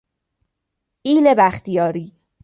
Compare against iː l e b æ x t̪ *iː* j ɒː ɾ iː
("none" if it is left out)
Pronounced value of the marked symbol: i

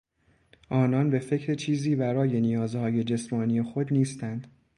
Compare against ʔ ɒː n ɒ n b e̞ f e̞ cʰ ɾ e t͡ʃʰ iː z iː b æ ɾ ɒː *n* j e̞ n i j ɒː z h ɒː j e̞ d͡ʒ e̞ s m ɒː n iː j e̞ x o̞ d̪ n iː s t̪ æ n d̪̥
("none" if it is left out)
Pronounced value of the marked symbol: none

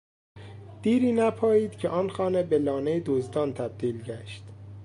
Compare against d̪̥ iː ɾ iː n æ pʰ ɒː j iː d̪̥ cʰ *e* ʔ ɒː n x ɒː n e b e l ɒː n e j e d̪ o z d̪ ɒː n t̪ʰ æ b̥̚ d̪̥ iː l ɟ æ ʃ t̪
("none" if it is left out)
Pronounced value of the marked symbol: e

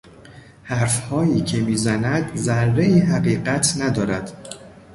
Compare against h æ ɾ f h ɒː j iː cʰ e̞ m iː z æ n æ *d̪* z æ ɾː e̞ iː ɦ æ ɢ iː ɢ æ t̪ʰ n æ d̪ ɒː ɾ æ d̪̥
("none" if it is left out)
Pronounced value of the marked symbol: d̪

